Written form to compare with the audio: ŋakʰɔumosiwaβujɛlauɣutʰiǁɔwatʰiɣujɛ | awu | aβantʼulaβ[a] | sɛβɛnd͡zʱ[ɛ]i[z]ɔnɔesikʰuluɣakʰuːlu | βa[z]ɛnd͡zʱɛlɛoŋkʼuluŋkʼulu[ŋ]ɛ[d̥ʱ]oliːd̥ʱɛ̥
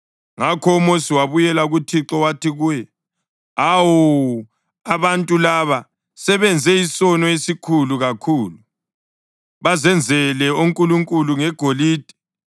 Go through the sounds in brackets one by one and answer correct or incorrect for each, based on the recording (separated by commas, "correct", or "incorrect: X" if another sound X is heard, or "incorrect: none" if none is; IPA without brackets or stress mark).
correct, correct, incorrect: s, correct, correct, incorrect: ɡ̥ʱ